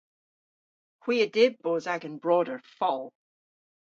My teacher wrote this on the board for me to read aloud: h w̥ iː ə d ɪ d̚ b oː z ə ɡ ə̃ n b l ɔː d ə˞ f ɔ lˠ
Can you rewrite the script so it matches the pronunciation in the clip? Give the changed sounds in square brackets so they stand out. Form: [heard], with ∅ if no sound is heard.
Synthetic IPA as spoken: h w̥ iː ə d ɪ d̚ b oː z [a] ɡ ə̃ n b [ɹ] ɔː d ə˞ f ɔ lˠ